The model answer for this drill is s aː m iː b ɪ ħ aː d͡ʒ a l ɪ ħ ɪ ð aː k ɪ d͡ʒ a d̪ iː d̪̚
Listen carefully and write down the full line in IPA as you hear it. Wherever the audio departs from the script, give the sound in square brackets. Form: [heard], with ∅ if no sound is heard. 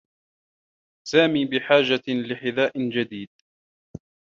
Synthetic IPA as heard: s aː m iː b ɪ ħ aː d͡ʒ a l ɪ ħ ɪ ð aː [ʔ] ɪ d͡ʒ a d̪ iː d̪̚